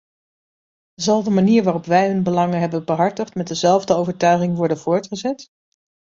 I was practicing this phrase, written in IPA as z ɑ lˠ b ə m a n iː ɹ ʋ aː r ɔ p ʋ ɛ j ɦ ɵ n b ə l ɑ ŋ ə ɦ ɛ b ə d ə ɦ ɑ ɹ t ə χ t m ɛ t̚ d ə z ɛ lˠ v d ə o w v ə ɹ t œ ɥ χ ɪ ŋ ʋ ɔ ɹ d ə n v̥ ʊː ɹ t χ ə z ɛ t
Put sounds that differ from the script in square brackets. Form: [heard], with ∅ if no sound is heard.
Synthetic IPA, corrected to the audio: z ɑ lˠ [d] ə m a n iː ɹ ʋ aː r ɔ p ʋ ɛ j ɦ ɵ n b ə l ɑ ŋ ə ɦ ɛ b ə [b] ə ɦ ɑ ɹ t ə χ t m ɛ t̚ d ə z ɛ lˠ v d ə o w v ə ɹ t œ ɥ χ ɪ ŋ ʋ ɔ ɹ d ə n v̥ ʊː ɹ t χ ə z ɛ t